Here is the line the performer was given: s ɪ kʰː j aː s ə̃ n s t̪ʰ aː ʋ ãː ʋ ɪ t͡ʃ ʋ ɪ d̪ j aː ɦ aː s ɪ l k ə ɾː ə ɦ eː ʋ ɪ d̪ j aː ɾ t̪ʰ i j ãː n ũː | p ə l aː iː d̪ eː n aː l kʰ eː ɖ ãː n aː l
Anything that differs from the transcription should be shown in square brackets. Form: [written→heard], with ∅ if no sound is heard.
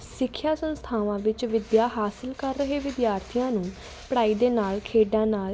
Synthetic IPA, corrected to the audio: s ɪ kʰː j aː s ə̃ n s t̪ʰ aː ʋ ãː ʋ ɪ t͡ʃ ʋ ɪ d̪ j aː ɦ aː s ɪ l k ə ɾː ə ɦ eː ʋ ɪ d̪ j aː ɾ t̪ʰ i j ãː n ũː | p ə [l→ɽ] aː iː d̪ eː n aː l kʰ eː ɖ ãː n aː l